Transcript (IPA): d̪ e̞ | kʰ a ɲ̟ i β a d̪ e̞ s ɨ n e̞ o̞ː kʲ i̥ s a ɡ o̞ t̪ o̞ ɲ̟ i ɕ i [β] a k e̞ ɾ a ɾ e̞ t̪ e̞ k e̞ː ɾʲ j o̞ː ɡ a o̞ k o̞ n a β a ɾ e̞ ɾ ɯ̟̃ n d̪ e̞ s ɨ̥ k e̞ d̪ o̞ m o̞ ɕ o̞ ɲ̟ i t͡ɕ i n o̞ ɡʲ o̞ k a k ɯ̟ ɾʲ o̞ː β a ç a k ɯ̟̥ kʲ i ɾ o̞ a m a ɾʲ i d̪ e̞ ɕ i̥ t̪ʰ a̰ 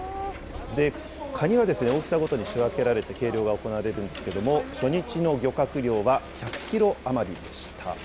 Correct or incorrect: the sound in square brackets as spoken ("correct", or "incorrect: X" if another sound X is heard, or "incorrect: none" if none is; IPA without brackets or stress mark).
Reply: correct